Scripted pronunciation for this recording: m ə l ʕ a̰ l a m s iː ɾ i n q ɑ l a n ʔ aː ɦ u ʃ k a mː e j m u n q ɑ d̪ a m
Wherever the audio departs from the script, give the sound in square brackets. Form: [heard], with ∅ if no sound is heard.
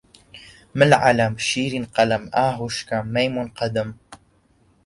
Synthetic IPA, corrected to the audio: m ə l ʕ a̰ l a m [ʃ] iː ɾ i n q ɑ l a [m] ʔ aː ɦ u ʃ k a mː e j m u n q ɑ d̪ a m